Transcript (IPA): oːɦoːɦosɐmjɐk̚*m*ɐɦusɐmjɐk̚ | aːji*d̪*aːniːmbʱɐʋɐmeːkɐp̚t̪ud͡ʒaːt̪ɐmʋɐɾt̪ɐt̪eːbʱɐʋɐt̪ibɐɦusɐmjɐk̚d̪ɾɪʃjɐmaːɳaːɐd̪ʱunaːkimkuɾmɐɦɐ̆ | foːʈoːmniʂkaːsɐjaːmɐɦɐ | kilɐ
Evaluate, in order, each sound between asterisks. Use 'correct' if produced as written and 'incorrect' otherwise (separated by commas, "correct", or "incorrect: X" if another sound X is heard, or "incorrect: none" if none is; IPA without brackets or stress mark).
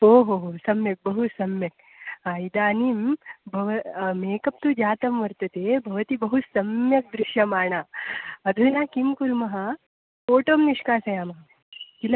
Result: incorrect: b, correct